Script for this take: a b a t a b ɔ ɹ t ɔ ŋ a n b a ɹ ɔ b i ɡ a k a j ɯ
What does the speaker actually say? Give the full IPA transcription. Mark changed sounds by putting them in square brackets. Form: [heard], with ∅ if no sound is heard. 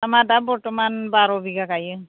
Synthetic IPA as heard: a [m] a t a b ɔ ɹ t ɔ [m] a n b a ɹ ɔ b i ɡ a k a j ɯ